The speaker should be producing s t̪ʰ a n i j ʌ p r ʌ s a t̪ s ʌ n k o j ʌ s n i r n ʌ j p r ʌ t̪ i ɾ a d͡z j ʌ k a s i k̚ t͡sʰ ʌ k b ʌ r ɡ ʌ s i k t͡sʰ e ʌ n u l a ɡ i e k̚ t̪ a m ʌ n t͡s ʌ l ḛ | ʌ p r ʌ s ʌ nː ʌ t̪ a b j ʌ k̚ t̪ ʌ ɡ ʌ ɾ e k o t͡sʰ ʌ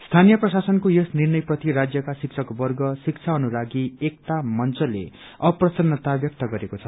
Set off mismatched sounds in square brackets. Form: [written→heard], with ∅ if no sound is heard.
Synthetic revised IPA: s t̪ʰ a n i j ʌ p r ʌ s a [t̪→∅] s ʌ n k o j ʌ s n i r n ʌ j p r ʌ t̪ i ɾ a d͡z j ʌ k a s i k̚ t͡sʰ ʌ k b ʌ r ɡ ʌ s i k t͡sʰ [e→a] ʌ n u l a ɡ i e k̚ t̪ a m ʌ n t͡s ʌ l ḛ | ʌ p r ʌ s ʌ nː ʌ t̪ a b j ʌ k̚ t̪ ʌ ɡ ʌ ɾ e k o t͡sʰ ʌ